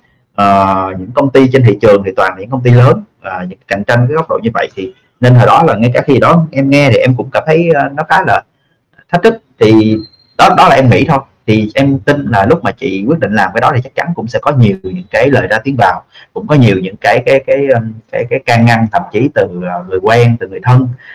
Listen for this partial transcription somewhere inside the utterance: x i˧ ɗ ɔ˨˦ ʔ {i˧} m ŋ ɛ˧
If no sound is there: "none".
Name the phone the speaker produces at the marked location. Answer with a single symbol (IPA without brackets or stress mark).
ɛ˧